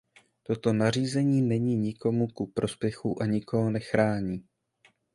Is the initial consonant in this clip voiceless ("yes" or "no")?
yes